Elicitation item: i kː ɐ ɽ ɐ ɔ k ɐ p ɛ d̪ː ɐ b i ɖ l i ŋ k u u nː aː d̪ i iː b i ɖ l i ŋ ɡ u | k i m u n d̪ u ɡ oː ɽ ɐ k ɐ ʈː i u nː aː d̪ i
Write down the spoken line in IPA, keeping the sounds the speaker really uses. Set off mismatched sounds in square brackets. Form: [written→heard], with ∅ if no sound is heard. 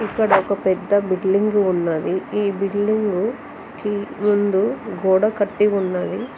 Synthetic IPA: i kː ɐ ɽ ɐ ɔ k ɐ p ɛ d̪ː ɐ b i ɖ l i ŋ [k→ɡ] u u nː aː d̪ i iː b i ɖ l i ŋ ɡ u | k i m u n d̪ u ɡ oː ɽ ɐ k ɐ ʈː i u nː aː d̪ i